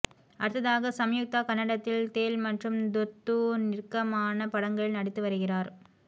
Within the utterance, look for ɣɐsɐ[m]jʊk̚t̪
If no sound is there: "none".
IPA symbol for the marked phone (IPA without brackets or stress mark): m